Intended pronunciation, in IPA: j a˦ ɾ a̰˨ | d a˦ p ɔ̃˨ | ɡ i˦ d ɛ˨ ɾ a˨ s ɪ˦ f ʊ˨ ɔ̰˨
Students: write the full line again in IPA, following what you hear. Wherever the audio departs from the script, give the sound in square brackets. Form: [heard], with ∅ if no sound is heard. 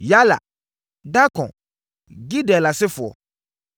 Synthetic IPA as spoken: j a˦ [l] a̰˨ | d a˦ [k] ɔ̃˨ | ɡ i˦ d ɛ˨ [l] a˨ s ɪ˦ f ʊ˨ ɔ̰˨